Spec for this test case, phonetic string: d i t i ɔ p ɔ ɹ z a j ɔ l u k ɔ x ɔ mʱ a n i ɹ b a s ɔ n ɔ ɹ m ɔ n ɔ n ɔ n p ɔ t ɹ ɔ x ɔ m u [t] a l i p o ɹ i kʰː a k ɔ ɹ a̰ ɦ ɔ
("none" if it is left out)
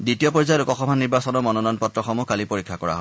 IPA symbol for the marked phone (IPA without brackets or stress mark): k